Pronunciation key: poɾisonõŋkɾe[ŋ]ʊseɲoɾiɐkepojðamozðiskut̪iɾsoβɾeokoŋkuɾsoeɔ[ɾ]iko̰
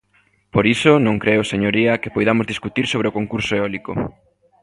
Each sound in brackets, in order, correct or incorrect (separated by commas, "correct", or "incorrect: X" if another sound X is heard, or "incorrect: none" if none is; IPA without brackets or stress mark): incorrect: none, incorrect: l